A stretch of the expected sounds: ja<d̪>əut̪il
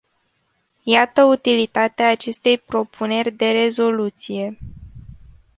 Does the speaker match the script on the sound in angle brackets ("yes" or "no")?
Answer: no